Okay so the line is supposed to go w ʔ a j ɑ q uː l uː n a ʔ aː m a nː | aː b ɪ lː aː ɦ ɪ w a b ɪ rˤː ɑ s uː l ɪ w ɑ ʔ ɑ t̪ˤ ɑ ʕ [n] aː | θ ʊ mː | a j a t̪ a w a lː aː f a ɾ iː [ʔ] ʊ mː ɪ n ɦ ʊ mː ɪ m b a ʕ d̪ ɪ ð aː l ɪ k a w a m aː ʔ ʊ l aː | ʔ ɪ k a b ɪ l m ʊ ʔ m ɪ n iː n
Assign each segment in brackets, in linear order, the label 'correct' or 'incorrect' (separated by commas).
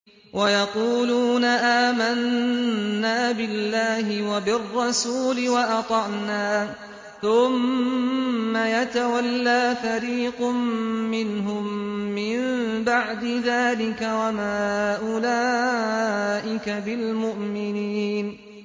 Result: correct, incorrect